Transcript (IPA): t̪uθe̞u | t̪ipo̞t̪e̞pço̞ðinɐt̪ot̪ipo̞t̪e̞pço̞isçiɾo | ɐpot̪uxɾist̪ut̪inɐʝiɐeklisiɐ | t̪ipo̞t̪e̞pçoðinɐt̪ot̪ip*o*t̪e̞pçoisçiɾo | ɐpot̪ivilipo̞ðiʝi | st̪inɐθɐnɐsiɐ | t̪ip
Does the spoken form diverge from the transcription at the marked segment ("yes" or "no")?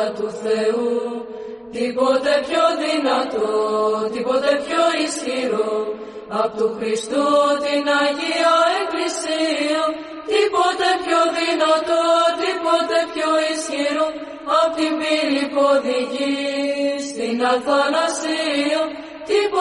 no